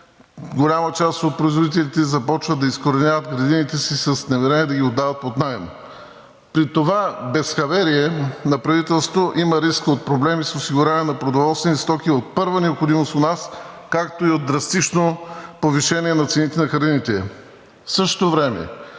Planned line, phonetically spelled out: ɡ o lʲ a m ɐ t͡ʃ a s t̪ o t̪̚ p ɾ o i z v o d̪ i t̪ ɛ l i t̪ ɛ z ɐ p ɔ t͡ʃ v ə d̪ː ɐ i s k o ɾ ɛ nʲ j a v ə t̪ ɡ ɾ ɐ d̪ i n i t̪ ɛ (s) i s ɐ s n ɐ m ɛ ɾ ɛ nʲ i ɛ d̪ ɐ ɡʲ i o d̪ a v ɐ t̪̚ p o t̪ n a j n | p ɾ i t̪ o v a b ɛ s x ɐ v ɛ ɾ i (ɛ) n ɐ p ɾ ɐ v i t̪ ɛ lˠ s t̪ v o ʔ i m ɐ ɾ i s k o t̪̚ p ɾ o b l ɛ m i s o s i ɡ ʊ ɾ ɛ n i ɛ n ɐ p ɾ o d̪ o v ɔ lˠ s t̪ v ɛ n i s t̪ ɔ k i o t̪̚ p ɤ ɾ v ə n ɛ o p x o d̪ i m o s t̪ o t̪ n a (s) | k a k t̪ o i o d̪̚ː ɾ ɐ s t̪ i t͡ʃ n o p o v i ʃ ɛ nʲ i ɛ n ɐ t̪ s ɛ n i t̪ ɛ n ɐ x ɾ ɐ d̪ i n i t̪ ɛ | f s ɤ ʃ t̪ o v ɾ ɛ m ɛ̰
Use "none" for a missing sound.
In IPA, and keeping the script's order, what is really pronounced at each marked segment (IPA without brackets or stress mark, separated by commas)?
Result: s, ɛ, s